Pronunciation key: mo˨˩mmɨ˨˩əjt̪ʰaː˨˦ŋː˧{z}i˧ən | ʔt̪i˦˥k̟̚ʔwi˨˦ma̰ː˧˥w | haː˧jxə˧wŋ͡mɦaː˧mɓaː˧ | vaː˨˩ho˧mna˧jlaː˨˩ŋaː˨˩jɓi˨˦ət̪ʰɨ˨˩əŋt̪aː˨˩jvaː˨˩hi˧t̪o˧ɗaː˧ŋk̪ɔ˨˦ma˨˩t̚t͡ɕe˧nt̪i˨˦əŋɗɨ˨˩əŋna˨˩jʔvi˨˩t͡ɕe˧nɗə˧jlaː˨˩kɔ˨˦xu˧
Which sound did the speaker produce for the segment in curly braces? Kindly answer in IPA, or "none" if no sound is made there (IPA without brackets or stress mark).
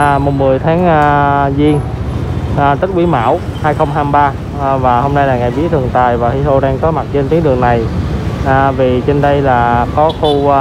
z